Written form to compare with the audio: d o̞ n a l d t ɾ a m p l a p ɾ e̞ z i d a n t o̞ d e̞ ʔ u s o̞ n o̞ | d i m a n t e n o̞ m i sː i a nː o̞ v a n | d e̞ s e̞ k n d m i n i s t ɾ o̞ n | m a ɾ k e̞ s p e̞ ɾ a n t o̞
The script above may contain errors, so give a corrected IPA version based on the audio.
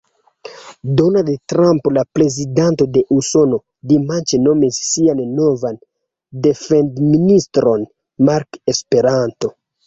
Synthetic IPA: d o̞ n a l d t ɾ a m p l a p ɾ e̞ z i d a n t o̞ d e̞ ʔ u s o̞ n o̞ | d i m a n t͡ʃ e n o̞ m i sː i a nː o̞ v a n | d e̞ f e̞ n d m i n i s t ɾ o̞ n | m a ɾ k e̞ s p e̞ ɾ a n t o̞